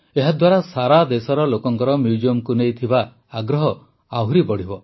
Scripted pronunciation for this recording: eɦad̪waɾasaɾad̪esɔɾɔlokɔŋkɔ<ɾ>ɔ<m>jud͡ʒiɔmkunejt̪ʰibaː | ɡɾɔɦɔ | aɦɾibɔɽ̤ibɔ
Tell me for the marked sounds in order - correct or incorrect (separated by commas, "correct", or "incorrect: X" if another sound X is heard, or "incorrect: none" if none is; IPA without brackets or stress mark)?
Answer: correct, correct